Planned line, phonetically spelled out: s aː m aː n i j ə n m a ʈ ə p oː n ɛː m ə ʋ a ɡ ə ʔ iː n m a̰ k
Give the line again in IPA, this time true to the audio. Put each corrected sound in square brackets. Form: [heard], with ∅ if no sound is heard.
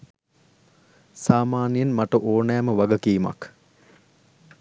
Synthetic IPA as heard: s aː m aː n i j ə n m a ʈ ə [ʔ] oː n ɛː m ə ʋ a ɡ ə [k] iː [∅] m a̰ k